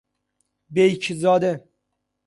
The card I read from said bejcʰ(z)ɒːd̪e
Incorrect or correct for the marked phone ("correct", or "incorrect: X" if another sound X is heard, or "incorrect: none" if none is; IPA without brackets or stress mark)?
correct